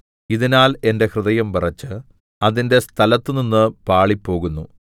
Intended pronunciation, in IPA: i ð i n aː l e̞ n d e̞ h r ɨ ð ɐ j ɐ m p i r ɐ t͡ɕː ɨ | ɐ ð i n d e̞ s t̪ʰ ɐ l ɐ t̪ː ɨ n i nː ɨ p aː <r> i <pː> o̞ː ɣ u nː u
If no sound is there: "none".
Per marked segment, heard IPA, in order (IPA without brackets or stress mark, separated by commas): ɭ, pː